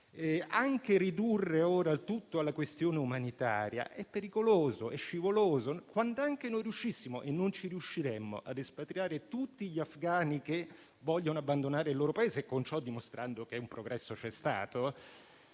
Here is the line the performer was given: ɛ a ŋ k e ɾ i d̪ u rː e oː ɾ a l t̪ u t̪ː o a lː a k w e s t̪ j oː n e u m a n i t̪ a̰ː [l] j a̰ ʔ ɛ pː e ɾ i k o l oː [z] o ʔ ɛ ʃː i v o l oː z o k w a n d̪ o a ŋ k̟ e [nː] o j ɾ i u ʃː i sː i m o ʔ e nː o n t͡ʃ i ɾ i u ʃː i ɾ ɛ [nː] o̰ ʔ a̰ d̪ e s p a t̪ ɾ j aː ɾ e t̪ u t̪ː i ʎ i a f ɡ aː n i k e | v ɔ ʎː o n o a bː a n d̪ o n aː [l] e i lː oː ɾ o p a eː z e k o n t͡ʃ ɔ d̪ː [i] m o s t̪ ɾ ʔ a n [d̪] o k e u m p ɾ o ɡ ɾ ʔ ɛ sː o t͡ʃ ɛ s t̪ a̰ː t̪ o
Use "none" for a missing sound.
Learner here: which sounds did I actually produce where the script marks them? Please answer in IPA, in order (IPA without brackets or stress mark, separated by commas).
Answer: ɾ, z, n, mː, ɾ, i, d̪